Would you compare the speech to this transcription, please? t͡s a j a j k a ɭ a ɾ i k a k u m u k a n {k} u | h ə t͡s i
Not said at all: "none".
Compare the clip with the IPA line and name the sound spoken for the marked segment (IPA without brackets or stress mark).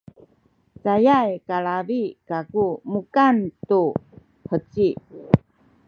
t